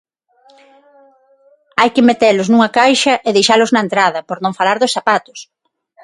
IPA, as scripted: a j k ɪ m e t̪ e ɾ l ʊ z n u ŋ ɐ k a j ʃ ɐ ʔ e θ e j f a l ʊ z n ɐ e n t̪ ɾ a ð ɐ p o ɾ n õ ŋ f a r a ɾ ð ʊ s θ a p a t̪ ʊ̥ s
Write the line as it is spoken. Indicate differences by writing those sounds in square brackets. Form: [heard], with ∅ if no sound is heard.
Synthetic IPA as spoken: a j k ɪ m e t̪ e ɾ l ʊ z n u ŋ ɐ k a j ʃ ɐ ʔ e [ð] e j [ʃ] a l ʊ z n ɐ e n t̪ ɾ a ð ɐ p o ɾ n õ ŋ f a [l] a ɾ ð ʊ s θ a p a t̪ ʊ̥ s